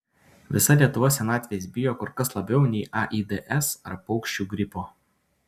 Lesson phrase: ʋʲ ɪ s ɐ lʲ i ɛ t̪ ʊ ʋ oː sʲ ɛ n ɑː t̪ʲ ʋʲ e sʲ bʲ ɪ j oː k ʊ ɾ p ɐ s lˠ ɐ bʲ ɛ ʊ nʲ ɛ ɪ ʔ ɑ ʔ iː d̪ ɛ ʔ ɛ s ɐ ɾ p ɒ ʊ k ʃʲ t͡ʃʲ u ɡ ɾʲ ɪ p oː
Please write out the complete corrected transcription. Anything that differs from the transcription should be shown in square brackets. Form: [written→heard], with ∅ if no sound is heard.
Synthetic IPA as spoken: ʋʲ ɪ s ɐ lʲ i ɛ t̪ ʊ ʋ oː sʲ ɛ n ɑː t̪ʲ ʋʲ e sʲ bʲ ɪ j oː k ʊ ɾ [p→k] ɐ s lˠ ɐ bʲ ɛ ʊ nʲ ɛ ɪ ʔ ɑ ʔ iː d̪ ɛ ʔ ɛ s ɐ ɾ p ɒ ʊ k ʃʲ t͡ʃʲ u ɡ ɾʲ ɪ p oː